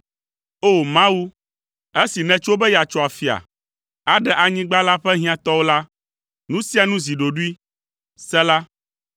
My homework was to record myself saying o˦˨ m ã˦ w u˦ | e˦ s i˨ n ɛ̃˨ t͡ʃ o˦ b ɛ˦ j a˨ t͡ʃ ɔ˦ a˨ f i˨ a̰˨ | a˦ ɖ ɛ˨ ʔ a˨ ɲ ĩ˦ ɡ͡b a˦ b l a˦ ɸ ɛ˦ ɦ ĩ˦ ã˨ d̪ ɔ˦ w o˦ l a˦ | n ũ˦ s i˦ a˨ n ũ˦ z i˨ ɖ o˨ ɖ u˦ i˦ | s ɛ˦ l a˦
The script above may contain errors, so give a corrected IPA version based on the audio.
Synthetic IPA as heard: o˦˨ m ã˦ w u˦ | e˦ s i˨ n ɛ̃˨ t͡ʃ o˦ b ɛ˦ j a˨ t͡ʃ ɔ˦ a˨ f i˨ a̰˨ | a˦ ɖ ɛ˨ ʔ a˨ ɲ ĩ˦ ɡ͡b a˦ l a˦ ɸ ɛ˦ ɦ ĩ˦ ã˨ t̪ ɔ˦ w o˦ l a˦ | n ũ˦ s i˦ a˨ n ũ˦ z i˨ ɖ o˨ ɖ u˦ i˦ | s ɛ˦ l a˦